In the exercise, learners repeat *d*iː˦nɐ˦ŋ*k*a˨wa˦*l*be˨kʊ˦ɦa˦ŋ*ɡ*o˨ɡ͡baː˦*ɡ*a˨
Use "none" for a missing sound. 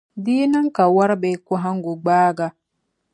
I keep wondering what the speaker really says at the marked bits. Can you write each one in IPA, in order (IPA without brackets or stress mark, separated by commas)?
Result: d, k, ɾ, ɡ, ɡ